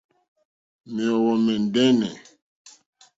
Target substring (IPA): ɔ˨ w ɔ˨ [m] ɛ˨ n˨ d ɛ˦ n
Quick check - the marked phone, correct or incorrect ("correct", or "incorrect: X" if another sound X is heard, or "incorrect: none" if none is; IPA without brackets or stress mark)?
correct